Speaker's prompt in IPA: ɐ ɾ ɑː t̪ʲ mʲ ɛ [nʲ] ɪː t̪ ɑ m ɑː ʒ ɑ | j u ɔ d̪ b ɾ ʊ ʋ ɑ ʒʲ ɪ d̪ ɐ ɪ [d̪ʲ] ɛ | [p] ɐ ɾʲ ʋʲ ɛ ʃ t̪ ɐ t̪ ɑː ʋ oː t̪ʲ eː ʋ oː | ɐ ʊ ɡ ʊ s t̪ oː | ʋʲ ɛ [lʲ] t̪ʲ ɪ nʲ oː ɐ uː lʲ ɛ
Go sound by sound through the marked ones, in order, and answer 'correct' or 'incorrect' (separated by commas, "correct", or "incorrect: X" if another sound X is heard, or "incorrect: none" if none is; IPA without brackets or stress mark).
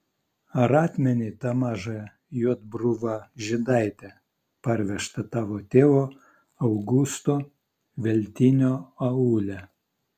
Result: correct, incorrect: t̪ʲ, correct, correct